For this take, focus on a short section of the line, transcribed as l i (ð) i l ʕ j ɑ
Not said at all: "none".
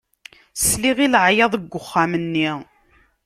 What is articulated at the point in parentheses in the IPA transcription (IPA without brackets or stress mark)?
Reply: ʁ